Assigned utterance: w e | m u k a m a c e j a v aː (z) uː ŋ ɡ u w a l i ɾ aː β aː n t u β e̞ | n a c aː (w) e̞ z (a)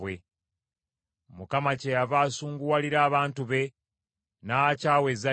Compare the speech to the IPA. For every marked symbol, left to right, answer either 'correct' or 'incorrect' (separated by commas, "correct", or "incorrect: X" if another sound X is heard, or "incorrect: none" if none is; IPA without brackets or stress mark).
incorrect: s, correct, correct